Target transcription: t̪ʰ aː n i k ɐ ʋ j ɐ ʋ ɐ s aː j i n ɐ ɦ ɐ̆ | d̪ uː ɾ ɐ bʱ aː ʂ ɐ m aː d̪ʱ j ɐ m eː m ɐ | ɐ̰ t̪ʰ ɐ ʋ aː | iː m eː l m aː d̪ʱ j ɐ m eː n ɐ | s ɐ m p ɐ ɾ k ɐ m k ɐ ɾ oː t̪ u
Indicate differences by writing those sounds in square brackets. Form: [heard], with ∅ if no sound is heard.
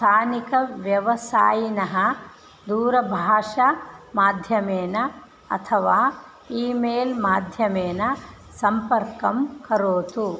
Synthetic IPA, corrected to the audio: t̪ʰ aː n i k ɐ ʋ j ɐ ʋ ɐ s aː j i n ɐ ɦ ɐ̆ | d̪ uː ɾ ɐ bʱ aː ʂ ɐ m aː d̪ʱ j ɐ m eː [n] ɐ | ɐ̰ t̪ʰ ɐ ʋ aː | iː m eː l m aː d̪ʱ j ɐ m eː n ɐ | s ɐ m p ɐ ɾ k ɐ m k ɐ ɾ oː t̪ u